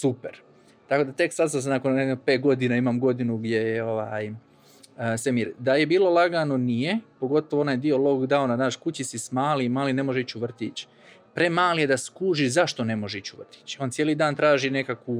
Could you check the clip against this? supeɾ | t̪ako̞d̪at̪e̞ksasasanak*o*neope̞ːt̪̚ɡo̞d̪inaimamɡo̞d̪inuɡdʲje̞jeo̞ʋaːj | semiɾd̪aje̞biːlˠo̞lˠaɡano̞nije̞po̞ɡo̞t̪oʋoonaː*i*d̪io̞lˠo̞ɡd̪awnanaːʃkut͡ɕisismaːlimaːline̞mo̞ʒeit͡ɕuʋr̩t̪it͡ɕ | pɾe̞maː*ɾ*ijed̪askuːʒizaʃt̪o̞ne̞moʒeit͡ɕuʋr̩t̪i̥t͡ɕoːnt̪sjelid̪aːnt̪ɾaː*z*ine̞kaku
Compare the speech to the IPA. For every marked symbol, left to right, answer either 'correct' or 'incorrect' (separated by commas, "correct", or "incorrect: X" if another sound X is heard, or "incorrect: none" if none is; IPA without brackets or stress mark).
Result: correct, incorrect: j, incorrect: l, incorrect: ʒ